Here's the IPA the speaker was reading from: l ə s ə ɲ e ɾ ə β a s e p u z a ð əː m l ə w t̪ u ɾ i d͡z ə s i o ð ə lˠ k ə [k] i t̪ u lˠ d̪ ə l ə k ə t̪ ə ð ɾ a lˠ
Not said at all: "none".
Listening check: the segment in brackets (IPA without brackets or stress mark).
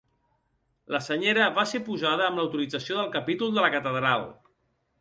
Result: p